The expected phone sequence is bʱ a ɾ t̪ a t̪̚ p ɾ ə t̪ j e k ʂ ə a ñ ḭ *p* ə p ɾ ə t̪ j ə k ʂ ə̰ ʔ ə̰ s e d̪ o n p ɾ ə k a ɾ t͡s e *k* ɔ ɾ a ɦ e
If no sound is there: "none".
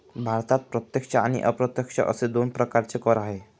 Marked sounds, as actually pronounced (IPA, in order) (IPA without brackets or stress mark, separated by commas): ʔ, k